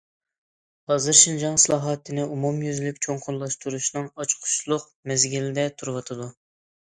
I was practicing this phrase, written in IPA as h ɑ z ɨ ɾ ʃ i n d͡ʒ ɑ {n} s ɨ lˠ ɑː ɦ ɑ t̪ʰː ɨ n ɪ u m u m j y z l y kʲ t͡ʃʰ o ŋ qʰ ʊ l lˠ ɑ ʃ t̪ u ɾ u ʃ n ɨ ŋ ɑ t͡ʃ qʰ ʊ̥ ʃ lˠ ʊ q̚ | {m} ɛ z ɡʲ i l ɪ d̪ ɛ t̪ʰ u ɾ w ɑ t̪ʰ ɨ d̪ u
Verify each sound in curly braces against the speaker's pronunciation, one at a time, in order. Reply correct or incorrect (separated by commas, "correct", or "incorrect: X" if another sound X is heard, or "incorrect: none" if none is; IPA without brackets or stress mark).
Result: incorrect: ŋ, correct